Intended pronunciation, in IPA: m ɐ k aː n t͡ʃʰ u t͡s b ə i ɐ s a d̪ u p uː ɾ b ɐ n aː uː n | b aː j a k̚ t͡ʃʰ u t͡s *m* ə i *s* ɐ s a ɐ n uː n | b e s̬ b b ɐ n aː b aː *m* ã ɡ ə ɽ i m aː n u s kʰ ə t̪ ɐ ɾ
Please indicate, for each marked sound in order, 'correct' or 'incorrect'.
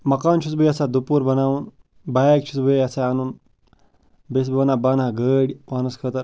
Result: incorrect, incorrect, incorrect

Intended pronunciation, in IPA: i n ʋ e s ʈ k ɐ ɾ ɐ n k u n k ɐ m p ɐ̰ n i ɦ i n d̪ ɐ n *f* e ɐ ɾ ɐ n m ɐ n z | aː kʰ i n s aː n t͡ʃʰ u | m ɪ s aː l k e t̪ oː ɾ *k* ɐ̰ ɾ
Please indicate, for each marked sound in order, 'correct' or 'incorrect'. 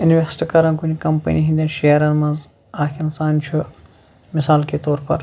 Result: incorrect, incorrect

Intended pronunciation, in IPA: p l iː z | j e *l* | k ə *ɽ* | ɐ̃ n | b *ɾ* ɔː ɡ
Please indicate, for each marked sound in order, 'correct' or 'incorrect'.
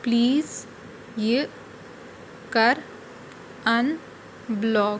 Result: incorrect, incorrect, incorrect

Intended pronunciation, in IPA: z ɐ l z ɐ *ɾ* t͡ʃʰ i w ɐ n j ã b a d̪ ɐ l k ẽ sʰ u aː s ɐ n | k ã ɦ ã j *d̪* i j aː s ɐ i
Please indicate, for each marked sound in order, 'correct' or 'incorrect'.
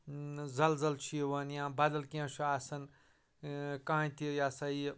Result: incorrect, incorrect

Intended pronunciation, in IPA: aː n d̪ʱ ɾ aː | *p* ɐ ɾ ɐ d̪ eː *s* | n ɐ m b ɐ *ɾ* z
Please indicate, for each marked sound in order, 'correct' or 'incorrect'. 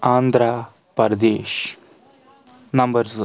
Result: correct, incorrect, correct

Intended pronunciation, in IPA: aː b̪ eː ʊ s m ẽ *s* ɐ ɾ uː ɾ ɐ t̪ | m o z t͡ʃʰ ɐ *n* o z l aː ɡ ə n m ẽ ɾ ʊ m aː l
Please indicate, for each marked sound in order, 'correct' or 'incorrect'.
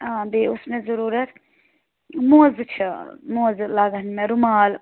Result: incorrect, incorrect

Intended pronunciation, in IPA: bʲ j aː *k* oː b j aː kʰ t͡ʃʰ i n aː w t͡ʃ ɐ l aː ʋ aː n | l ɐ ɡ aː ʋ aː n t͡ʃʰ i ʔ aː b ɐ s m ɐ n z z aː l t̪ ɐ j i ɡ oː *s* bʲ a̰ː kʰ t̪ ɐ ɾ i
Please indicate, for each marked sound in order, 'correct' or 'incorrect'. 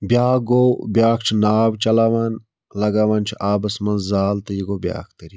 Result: incorrect, incorrect

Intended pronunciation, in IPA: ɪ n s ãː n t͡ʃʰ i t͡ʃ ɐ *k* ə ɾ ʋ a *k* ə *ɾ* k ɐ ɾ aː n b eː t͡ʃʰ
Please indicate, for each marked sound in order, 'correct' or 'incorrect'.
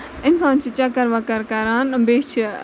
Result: correct, correct, correct

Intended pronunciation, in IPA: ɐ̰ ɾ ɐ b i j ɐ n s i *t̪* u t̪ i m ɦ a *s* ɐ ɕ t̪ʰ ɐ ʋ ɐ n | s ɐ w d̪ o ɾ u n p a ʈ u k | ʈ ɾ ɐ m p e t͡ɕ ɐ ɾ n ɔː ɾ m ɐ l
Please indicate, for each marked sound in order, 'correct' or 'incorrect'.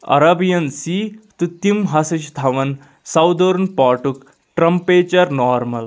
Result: correct, correct

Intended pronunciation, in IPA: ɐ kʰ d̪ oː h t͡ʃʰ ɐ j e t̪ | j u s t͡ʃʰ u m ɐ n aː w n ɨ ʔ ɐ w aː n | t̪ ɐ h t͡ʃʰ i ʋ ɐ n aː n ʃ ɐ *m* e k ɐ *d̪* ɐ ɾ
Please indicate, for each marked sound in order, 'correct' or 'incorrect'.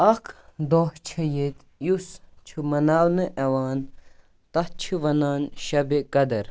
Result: incorrect, correct

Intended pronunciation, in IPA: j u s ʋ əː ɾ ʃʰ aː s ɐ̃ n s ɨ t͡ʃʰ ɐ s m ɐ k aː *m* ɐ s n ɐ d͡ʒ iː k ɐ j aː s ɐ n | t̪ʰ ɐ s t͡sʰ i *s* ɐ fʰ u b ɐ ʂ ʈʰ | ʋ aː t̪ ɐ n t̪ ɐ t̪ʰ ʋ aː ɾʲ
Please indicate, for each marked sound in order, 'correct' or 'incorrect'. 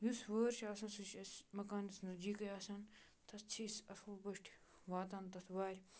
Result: incorrect, correct

